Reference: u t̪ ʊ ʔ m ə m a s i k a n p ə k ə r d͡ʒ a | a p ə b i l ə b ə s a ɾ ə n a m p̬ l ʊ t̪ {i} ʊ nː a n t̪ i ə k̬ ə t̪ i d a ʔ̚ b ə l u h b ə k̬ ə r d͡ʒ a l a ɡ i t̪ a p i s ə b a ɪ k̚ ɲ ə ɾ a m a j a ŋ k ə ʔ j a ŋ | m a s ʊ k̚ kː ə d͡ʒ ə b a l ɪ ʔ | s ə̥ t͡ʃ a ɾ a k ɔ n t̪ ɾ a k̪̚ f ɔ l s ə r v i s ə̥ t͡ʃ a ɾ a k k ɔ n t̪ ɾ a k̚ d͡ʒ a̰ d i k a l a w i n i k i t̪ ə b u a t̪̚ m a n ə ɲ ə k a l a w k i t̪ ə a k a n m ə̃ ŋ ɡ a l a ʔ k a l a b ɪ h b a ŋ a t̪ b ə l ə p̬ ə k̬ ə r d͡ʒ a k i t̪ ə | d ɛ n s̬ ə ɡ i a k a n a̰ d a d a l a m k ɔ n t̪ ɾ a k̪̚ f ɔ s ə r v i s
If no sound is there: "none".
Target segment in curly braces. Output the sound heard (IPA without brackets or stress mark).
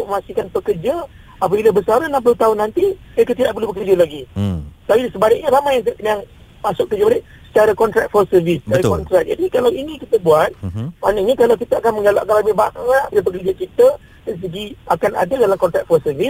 a